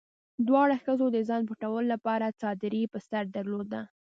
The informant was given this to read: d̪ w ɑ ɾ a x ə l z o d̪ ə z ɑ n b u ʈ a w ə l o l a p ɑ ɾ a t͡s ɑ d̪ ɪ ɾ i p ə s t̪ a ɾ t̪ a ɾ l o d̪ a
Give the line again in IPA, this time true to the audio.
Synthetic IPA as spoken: d̪ w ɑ ɽ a x ə z o d̪ ə z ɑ n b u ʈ a w ə l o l a p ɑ ɾ a t͡s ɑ d̪ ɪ ɾ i p ə s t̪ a ɾ d̪ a ɾ l o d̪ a